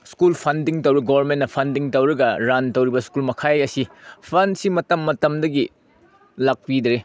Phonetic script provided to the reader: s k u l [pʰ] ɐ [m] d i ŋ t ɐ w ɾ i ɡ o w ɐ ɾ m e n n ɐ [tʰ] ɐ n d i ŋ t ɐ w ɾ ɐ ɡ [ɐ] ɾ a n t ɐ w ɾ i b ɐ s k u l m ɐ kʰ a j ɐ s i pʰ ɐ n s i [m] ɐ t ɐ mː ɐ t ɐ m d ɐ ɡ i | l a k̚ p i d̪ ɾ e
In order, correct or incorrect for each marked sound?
correct, incorrect: n, incorrect: pʰ, correct, correct

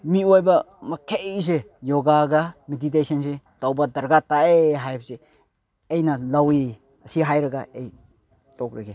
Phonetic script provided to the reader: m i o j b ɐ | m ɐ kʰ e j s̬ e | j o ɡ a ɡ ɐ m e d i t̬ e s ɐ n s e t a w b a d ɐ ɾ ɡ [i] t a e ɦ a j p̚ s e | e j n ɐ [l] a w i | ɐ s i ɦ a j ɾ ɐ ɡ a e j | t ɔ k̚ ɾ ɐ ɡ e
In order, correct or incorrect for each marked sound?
incorrect: a, correct

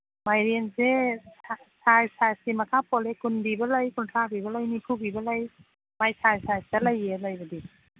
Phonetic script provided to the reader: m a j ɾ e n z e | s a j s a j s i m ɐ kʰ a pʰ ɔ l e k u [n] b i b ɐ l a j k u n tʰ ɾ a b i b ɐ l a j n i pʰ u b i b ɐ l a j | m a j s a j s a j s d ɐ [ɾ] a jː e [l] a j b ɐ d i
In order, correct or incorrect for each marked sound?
correct, incorrect: l, correct

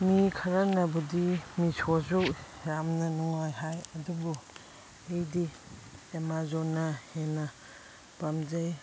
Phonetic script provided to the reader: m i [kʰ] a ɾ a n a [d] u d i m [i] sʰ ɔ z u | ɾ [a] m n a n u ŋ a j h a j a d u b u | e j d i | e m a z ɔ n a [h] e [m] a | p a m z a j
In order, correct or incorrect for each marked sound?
correct, incorrect: b, correct, correct, correct, incorrect: n

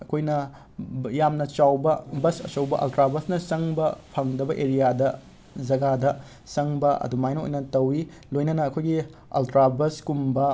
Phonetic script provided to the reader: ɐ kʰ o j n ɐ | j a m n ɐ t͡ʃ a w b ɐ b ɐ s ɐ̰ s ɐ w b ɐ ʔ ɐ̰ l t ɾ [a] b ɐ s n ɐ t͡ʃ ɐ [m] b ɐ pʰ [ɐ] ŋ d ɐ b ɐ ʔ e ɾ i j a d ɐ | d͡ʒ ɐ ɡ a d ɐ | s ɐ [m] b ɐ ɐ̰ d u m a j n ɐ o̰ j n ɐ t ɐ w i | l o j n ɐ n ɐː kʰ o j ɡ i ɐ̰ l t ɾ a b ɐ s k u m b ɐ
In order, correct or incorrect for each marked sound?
correct, incorrect: ŋ, correct, incorrect: ŋ

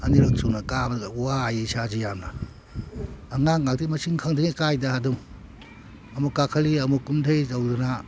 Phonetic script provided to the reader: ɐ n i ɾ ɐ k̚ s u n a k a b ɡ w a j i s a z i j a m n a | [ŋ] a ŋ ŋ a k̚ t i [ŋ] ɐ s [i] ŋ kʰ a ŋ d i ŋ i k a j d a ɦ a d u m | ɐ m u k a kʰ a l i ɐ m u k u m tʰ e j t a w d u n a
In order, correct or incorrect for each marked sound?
correct, incorrect: m, correct

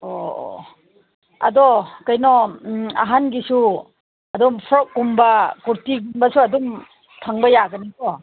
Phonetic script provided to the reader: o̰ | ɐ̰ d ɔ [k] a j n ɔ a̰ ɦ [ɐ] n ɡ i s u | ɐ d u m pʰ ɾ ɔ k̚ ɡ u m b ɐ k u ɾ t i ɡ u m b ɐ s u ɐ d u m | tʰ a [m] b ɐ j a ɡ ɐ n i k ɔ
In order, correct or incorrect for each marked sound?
correct, incorrect: a, incorrect: ŋ

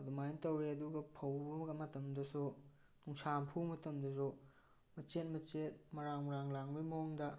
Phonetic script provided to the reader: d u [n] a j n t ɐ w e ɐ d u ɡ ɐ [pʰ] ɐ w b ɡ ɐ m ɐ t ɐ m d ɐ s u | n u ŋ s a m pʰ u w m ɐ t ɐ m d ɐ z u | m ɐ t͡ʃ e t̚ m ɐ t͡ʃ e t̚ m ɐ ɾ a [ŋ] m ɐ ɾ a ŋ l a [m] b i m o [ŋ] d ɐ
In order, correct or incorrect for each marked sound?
incorrect: m, correct, correct, incorrect: ŋ, correct

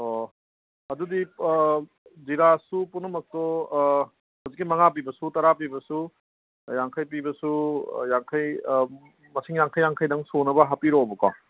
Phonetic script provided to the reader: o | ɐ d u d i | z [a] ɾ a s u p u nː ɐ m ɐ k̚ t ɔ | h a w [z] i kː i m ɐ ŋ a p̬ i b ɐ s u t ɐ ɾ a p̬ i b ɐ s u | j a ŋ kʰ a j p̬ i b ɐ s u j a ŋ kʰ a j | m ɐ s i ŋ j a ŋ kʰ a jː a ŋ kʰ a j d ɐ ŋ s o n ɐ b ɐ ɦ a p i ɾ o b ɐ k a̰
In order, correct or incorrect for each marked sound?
incorrect: i, correct

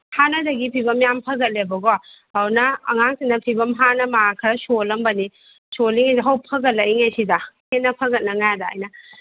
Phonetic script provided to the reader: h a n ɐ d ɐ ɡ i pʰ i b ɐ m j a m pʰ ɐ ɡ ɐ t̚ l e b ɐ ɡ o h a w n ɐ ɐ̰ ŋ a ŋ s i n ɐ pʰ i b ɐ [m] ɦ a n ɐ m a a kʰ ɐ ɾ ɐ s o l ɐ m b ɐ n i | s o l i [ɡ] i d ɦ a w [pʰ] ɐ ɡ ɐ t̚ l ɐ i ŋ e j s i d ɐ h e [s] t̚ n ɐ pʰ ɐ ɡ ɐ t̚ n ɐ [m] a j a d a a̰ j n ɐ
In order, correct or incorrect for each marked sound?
correct, incorrect: ŋ, correct, incorrect: none, incorrect: ŋ

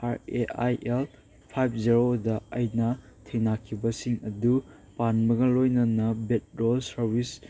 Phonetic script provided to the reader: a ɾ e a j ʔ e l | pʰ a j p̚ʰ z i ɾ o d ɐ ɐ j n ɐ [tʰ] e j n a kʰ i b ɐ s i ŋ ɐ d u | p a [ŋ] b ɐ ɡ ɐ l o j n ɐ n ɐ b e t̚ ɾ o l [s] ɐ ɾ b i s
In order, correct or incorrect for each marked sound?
correct, incorrect: n, correct

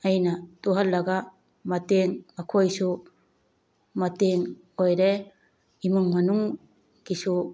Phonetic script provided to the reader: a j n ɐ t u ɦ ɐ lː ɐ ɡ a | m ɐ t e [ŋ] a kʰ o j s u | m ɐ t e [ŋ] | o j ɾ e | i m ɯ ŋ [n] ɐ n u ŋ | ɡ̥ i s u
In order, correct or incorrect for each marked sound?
correct, correct, incorrect: m

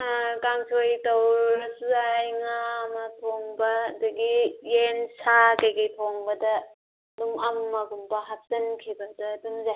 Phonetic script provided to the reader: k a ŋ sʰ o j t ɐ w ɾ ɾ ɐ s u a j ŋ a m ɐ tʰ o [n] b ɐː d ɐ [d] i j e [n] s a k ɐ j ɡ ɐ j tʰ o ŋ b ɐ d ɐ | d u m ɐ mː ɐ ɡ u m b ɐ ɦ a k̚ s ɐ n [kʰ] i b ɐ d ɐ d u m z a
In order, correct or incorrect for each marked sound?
incorrect: ŋ, incorrect: ɡ, correct, correct

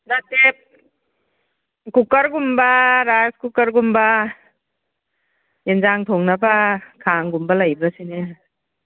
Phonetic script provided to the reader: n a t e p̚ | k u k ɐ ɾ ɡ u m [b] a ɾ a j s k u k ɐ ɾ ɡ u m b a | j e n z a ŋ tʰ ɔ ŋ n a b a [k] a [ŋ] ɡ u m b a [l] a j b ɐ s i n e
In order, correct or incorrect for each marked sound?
correct, incorrect: kʰ, correct, correct

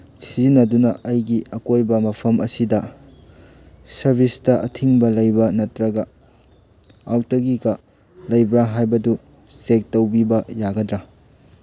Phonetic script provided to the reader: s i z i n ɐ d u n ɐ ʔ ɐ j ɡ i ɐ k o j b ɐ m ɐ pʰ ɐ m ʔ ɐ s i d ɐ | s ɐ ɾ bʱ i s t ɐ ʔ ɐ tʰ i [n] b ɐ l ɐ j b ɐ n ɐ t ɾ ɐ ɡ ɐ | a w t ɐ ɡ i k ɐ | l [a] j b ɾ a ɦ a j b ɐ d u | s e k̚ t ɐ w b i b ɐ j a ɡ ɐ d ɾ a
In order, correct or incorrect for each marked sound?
incorrect: ŋ, incorrect: ɐ

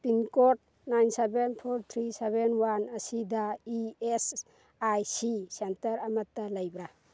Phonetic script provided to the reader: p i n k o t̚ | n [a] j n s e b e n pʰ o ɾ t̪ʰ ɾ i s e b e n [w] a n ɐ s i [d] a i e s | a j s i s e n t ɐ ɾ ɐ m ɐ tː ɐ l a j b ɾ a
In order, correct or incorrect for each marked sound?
correct, correct, correct

